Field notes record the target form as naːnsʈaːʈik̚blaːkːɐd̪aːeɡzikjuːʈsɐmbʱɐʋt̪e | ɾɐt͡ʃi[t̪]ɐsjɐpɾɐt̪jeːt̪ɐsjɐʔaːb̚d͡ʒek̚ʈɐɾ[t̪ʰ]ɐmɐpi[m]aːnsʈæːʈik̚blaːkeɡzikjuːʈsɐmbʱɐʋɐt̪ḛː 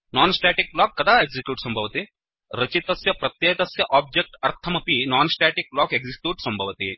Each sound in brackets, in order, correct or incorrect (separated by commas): correct, correct, incorrect